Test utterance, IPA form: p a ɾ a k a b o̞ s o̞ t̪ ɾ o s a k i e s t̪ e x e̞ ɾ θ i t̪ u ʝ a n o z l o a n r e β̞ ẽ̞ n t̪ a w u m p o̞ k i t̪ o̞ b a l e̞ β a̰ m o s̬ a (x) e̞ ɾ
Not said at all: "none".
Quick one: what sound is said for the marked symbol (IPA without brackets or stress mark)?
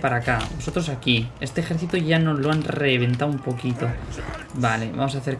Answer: θ